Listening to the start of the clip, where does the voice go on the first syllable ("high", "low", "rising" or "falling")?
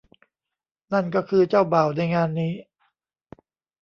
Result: falling